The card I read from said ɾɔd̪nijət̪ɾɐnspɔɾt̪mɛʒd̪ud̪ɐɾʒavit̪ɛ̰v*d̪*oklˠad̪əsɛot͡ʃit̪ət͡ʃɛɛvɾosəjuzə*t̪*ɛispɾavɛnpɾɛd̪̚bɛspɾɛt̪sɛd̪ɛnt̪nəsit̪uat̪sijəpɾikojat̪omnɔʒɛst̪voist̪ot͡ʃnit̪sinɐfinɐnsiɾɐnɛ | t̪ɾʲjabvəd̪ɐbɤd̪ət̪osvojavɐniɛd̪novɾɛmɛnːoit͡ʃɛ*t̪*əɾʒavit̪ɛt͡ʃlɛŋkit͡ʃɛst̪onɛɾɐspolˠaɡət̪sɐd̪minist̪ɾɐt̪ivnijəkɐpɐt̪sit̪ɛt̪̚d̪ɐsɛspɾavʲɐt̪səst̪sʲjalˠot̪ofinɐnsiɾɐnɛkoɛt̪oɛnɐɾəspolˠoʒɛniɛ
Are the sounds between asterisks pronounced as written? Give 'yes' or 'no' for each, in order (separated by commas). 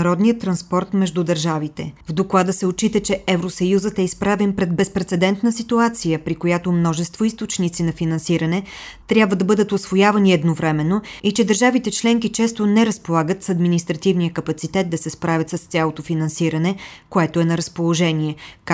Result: yes, yes, no